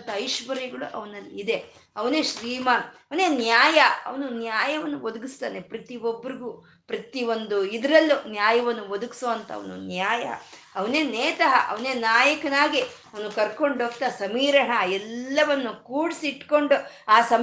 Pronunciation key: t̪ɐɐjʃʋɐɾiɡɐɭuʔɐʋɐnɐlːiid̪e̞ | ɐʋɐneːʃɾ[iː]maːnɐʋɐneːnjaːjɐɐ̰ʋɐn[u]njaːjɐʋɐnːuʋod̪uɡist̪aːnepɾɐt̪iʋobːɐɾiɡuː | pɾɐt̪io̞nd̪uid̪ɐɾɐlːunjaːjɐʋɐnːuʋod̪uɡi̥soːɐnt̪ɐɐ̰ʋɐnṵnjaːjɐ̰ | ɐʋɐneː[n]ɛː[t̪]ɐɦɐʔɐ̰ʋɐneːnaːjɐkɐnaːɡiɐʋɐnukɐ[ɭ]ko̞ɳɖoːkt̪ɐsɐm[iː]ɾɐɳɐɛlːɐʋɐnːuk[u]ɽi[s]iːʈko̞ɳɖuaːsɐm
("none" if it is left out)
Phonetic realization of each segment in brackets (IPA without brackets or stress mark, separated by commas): iː, u, n, t̪, ɾ, iː, uː, s